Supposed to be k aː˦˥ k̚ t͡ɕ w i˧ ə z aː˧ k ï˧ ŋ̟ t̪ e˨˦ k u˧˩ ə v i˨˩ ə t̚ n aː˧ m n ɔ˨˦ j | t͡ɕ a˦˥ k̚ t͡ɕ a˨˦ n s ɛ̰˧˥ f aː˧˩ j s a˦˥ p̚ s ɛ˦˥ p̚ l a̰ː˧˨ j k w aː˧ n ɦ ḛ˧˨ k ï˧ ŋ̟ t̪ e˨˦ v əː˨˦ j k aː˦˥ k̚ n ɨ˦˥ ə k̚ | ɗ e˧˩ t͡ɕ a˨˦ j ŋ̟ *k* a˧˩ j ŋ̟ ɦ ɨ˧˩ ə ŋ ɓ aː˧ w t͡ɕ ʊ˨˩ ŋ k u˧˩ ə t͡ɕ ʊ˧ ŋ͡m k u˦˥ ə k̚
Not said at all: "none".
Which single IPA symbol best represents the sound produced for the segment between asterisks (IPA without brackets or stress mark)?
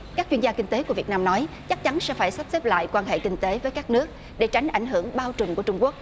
ʔ